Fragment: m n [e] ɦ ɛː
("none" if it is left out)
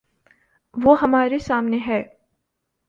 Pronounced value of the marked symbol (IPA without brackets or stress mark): e